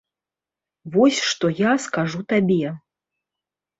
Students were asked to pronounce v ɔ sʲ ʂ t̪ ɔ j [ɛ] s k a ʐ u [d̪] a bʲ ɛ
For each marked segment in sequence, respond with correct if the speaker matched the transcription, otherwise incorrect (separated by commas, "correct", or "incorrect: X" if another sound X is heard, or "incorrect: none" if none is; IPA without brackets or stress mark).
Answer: incorrect: a, incorrect: t̪